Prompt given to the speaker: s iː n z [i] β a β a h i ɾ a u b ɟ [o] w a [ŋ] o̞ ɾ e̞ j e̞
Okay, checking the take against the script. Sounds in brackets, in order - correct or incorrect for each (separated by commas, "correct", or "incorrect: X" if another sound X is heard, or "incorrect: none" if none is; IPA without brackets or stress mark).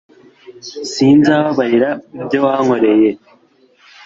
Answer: incorrect: a, correct, correct